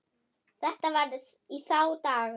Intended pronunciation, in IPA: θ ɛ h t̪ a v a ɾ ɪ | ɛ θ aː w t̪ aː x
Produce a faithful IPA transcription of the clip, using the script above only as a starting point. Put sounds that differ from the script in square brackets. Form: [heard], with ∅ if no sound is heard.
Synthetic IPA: θ ɛ h t̪ a v a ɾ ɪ | [i] θ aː w t̪ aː [ɣ]